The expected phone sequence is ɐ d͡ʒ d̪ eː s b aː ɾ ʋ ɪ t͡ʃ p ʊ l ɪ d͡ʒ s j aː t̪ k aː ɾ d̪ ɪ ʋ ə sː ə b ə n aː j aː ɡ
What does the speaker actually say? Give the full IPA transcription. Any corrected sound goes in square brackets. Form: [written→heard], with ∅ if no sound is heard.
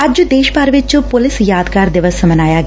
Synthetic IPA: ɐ d͡ʒ d̪ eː [s→ʃ] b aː ɾ ʋ ɪ t͡ʃ p ʊ l ɪ [d͡ʒ→∅] s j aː [t̪→d̪] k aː ɾ d̪ ɪ ʋ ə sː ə [b→m] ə n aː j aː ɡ